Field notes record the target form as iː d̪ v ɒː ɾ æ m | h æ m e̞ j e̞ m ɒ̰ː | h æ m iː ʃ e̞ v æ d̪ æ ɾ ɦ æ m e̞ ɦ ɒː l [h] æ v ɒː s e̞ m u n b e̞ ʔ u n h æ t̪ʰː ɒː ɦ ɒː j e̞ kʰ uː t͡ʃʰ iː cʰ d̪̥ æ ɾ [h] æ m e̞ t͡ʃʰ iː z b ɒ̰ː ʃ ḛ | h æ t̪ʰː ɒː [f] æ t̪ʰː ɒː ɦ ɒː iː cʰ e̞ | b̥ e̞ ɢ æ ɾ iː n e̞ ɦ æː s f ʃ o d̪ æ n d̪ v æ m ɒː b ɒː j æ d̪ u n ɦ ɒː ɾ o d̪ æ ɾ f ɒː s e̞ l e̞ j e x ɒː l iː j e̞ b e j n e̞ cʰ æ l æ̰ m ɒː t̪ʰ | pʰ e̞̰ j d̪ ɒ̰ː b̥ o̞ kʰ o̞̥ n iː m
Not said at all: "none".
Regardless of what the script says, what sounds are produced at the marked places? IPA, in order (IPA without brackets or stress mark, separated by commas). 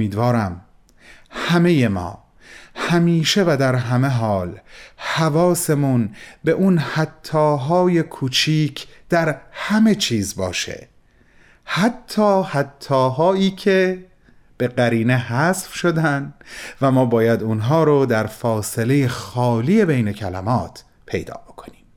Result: h, h, h